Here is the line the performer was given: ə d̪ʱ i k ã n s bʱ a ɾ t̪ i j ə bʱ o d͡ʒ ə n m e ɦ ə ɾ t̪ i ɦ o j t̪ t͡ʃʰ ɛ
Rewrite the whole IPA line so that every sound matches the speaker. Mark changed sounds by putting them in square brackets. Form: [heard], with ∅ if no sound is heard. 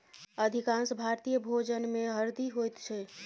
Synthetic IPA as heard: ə d̪ʱ i k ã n s bʱ a ɾ t̪ i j ə bʱ o d͡ʒ ə n m e ɦ ə ɾ [d̪] i ɦ o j t̪ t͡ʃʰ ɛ